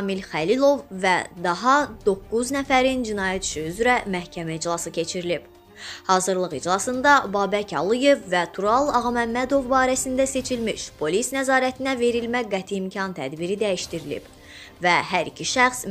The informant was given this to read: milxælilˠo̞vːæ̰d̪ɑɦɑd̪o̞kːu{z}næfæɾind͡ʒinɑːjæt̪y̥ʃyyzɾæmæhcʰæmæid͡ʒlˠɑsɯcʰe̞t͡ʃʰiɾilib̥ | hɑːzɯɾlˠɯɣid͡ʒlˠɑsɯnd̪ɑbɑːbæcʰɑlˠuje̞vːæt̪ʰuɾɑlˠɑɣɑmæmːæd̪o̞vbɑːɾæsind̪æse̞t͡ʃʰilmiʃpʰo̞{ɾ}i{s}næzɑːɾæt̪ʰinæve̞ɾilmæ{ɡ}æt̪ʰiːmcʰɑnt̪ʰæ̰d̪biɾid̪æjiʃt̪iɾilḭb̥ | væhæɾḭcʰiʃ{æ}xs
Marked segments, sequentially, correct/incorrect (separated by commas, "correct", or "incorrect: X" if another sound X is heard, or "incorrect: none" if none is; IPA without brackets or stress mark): correct, incorrect: l, correct, correct, correct